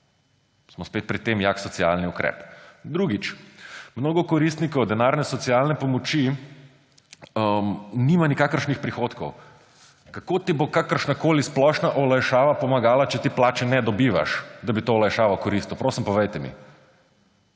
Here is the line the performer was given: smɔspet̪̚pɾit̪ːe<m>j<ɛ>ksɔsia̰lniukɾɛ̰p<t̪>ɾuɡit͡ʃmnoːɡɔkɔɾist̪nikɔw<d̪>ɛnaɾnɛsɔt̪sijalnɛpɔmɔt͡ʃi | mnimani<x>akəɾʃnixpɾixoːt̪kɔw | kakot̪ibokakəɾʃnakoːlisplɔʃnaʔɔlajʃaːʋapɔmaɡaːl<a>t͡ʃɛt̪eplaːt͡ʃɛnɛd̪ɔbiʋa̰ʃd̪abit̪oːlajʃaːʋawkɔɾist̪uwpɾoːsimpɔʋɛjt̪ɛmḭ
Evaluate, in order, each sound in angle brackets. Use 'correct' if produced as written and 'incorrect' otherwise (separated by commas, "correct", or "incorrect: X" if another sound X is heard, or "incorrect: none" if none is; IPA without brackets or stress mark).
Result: correct, incorrect: a, incorrect: d̪, correct, incorrect: k, correct